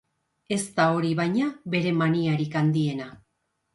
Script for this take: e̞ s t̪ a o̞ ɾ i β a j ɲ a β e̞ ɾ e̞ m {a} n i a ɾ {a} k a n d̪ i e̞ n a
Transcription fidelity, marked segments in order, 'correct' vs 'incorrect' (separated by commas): correct, incorrect